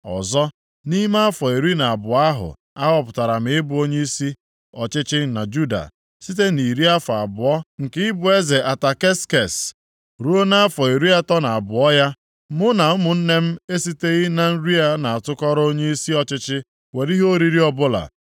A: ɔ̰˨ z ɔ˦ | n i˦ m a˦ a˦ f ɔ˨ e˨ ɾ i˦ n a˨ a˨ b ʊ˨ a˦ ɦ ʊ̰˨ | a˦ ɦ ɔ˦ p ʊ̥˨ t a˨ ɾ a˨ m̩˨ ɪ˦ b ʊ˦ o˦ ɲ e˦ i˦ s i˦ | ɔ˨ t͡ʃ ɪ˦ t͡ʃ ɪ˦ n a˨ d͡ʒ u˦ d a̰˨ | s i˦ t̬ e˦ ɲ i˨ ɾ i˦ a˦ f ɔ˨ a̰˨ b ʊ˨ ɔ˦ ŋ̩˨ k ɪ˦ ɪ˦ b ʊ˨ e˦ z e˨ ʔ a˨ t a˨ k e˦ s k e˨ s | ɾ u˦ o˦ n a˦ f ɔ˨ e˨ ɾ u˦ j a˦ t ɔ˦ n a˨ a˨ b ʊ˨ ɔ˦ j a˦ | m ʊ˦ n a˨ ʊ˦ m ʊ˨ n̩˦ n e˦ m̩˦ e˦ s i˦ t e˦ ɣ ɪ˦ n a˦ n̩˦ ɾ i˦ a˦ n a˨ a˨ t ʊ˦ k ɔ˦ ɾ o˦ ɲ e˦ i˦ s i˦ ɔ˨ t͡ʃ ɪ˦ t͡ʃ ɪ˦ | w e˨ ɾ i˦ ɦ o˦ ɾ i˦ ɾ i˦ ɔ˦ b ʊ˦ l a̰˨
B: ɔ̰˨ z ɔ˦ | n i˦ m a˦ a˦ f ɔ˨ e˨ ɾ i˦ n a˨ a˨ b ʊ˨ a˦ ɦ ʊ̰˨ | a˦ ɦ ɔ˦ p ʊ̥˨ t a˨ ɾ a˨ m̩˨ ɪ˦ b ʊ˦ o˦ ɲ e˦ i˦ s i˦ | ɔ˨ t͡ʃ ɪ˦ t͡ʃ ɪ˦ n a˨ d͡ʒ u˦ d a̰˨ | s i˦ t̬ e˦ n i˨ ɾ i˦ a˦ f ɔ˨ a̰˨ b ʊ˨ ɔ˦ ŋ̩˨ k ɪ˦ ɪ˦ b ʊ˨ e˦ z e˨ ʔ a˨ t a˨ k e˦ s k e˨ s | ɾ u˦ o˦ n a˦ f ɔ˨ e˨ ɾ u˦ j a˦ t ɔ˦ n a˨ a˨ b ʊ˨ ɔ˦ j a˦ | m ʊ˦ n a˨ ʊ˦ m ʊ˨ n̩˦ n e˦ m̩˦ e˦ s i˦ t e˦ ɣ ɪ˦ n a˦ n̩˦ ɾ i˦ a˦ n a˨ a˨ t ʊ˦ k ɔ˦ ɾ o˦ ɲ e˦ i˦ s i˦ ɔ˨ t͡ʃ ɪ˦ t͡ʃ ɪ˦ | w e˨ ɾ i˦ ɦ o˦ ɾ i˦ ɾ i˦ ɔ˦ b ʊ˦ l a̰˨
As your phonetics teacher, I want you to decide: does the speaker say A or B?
B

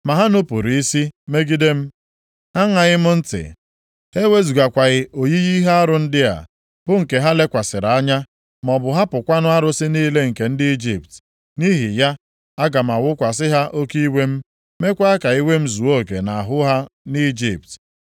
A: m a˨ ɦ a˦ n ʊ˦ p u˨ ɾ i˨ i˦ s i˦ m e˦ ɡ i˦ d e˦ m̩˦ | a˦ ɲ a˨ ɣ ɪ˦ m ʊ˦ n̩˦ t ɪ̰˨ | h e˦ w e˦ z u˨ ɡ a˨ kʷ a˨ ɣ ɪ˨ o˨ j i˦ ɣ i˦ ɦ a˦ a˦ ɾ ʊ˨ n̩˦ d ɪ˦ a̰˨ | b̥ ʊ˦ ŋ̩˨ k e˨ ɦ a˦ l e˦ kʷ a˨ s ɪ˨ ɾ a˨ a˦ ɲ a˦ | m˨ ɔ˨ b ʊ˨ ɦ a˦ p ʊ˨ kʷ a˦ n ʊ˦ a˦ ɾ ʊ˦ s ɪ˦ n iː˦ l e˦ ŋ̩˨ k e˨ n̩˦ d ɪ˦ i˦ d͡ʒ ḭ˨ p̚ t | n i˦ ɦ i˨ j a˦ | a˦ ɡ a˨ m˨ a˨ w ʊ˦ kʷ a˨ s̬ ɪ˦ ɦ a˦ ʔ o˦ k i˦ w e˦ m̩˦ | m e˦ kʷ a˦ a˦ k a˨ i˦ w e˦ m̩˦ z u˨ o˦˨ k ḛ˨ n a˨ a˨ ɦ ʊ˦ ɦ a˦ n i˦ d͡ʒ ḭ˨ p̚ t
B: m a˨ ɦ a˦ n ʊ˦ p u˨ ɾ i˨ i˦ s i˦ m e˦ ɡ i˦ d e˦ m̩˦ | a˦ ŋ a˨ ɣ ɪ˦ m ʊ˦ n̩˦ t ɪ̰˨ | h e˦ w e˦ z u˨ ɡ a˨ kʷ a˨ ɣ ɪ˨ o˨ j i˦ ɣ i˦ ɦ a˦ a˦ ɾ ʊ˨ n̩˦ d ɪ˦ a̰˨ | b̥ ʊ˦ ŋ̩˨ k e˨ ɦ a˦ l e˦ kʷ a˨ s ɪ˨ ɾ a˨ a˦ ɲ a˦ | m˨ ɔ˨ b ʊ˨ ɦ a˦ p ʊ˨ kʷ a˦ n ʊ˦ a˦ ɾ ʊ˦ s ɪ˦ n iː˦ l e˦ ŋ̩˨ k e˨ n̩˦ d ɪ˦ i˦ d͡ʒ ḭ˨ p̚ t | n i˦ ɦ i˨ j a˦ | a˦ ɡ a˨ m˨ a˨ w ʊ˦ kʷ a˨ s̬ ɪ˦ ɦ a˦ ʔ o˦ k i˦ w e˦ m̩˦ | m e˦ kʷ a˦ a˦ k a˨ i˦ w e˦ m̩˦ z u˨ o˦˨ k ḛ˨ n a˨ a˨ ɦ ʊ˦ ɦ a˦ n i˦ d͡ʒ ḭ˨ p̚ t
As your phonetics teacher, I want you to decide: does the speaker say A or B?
B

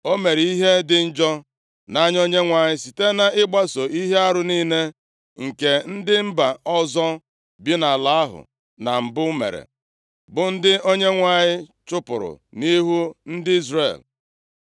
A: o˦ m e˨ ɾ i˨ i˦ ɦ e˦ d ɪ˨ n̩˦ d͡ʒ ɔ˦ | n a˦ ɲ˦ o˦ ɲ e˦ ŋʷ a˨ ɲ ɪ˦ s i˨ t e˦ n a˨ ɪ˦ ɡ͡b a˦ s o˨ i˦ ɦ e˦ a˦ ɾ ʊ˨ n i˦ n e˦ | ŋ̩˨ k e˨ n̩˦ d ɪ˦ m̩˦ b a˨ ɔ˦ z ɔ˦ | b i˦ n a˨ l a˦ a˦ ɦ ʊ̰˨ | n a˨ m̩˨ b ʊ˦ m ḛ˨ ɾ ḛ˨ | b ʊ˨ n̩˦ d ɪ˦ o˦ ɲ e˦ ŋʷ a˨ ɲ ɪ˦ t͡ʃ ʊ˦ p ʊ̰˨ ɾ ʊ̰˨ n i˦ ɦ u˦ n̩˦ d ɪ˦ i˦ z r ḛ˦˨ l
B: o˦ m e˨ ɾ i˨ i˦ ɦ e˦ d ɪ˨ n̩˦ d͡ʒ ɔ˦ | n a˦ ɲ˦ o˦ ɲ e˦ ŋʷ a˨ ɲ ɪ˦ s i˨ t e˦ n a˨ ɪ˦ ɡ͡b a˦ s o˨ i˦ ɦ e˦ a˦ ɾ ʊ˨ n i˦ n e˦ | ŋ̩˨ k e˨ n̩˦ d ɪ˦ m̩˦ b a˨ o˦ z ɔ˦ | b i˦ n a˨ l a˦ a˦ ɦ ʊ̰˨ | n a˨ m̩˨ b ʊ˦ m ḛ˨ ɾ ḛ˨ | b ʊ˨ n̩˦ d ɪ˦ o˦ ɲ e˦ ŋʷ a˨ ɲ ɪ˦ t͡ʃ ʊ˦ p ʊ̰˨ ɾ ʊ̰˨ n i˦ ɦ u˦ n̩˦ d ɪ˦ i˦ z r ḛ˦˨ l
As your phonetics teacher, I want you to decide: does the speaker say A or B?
A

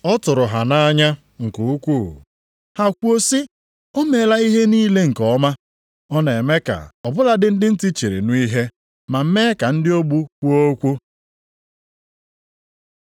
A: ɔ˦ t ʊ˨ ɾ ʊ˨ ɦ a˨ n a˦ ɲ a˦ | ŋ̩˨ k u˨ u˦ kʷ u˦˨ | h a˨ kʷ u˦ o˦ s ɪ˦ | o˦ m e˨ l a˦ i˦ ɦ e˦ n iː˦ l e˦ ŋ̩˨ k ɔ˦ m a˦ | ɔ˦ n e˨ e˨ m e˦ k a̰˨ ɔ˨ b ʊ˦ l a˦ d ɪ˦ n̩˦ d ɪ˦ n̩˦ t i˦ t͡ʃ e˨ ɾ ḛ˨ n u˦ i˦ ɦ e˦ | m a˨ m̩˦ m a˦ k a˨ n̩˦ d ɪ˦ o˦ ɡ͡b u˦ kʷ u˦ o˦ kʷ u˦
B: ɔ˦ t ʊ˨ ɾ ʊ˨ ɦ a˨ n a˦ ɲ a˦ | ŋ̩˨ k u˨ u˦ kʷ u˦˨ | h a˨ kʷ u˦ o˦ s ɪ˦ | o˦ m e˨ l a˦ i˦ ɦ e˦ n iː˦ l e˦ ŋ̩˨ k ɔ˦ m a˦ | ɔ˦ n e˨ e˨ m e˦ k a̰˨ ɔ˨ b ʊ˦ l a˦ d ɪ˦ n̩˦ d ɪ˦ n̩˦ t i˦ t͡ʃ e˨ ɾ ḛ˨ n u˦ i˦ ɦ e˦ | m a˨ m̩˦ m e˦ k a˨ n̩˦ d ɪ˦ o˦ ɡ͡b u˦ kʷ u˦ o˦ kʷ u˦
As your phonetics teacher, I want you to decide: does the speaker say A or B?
B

